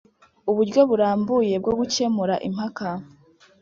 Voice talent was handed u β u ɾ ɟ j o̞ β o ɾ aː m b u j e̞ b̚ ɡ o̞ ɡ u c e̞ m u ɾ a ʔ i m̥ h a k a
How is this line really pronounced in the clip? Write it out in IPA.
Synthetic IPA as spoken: u β u ɾ ɟ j o̞ β u ɾ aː m b u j e̞ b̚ ɡ o̞ ɡ u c e̞ m u ɾ a ʔ i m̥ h a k a